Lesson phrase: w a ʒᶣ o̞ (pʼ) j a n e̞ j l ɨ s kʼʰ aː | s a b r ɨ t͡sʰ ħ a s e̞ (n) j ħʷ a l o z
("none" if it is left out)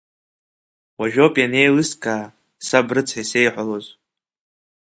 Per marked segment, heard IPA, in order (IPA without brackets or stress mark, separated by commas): pʼ, none